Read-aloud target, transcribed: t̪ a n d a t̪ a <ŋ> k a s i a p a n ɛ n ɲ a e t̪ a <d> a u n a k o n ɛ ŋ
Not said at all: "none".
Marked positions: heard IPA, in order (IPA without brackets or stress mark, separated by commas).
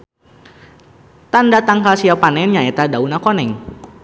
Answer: ŋ, d